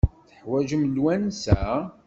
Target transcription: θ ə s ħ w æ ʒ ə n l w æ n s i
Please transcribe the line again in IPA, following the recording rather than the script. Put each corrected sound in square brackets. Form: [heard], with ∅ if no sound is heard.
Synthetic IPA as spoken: θ ə [∅] ħ w æ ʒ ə [m] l w æ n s [æ]